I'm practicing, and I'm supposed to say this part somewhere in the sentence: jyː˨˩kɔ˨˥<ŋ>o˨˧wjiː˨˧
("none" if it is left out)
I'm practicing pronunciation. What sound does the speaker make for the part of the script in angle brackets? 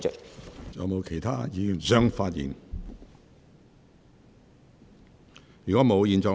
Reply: m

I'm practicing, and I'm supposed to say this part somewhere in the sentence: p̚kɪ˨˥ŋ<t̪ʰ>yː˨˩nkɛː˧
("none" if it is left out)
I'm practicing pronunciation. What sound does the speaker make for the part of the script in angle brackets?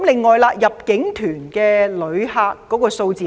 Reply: t̪ʰ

